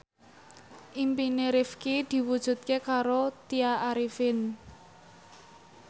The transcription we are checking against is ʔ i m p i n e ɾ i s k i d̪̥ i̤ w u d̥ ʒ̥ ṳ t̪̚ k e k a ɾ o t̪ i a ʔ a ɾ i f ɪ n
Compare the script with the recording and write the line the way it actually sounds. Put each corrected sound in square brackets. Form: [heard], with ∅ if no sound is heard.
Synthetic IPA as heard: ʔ i m p i n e ɾ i [f] k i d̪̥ i̤ w u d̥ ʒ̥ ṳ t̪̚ k e k a ɾ o t̪ i a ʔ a ɾ i f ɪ n